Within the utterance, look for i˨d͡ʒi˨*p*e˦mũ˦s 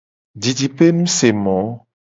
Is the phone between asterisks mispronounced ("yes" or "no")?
no